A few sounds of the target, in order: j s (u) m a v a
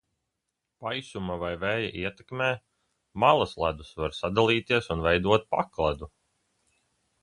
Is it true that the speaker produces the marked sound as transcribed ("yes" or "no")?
yes